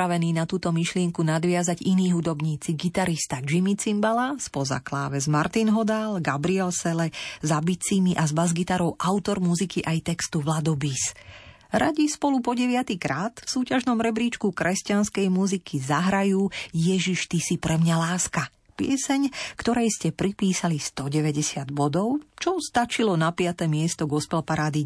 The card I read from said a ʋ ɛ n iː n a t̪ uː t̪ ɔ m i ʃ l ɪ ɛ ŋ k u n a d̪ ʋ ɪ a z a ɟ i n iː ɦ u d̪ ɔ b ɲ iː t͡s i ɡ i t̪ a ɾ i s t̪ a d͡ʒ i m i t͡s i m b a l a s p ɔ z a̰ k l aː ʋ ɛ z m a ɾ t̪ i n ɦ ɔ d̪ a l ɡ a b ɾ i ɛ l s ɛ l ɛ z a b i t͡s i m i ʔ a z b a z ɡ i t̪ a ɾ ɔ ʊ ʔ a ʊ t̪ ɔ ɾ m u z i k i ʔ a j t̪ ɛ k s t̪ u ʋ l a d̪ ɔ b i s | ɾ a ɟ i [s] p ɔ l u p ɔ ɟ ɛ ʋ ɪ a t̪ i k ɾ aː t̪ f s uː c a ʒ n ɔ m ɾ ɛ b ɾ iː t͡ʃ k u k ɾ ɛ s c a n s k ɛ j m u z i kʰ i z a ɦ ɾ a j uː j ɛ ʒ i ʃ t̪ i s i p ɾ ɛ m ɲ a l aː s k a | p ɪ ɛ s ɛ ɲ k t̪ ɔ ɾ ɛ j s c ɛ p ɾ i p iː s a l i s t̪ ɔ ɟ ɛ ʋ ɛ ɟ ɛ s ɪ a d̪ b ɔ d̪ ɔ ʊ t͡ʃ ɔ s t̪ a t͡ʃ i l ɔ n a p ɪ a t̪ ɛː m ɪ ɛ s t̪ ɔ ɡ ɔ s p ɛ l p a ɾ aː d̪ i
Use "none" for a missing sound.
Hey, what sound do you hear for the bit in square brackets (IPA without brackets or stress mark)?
s